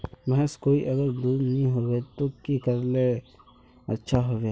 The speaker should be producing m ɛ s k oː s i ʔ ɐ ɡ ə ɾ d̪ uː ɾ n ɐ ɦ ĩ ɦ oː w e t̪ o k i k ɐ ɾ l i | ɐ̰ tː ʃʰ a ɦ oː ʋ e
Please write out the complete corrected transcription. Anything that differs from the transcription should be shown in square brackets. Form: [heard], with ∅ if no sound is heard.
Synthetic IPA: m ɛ s k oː [∅] i ʔ ɐ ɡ ə ɾ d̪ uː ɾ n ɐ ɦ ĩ ɦ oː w e t̪ o k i k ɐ ɾ l [e] | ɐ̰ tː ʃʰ a ɦ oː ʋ e